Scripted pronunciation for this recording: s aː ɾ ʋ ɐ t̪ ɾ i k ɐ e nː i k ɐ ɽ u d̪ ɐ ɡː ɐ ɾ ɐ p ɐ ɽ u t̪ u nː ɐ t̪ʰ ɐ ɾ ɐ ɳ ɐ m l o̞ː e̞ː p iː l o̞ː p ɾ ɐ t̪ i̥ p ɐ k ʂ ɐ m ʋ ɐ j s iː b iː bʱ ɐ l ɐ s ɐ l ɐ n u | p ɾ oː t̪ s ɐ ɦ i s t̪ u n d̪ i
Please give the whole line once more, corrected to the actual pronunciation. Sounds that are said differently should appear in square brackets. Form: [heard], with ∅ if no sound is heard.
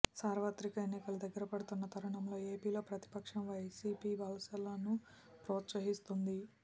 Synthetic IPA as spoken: s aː ɾ ʋ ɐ t̪ ɾ i k ɐ e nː i k ɐ [l] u d̪ ɐ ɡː ɐ ɾ ɐ p ɐ ɽ u t̪ u nː ɐ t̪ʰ ɐ ɾ ɐ ɳ ɐ m l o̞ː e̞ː p iː l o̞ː p ɾ ɐ t̪ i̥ p ɐ k ʂ ɐ m ʋ ɐ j s iː [p] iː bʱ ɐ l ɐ s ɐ l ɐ n u | p ɾ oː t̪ s ɐ ɦ i s t̪ u n d̪ i